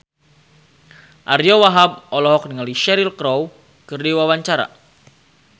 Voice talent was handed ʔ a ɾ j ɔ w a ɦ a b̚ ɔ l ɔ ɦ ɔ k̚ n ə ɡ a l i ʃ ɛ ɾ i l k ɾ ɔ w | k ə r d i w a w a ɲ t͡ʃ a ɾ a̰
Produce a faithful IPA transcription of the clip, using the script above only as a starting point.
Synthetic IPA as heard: ʔ a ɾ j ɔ w a ɦ a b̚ ɔ l ɔ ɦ ɔ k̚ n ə ŋ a l i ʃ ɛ ɾ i l k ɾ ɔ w | k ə r d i w a w a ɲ t͡ʃ a ɾ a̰